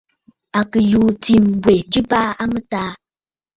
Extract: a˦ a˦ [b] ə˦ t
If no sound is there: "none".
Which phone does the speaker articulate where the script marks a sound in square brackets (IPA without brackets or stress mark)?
m